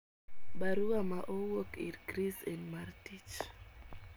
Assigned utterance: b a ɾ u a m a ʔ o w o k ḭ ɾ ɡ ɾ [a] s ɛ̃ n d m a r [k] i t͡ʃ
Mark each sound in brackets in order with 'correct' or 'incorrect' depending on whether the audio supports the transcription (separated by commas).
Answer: incorrect, incorrect